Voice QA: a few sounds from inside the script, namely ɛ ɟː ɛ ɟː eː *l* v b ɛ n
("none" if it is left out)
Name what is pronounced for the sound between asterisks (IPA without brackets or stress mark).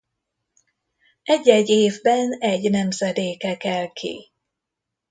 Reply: none